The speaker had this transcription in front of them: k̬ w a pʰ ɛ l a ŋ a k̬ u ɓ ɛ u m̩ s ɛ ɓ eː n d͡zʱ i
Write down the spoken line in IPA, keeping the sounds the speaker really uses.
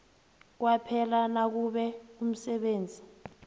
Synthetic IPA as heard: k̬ w a pʰ ɛ l a n a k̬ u ɓ ɛ u m̩ s ɛ ɓ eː n d͡zʱ i